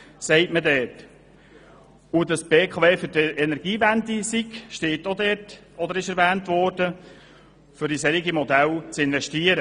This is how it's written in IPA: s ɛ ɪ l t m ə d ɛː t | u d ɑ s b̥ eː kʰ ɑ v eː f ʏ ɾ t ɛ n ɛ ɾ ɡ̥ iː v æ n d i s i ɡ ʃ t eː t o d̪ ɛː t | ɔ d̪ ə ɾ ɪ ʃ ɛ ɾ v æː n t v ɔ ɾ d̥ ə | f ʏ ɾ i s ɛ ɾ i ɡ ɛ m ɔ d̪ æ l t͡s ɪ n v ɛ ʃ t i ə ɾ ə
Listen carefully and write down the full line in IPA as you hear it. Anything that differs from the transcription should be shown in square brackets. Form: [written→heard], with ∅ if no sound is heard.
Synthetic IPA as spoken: s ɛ ɪ [l→∅] t m ə d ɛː t | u d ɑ s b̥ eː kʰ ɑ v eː f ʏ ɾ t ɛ n ɛ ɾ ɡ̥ iː v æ n d i s i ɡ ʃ t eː t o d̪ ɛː t | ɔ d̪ ə ɾ ɪ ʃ ɛ ɾ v æː n t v ɔ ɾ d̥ ə | f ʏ ɾ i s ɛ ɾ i ɡ [ɛ→i] m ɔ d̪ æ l t͡s ɪ n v ɛ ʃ t i ə ɾ ə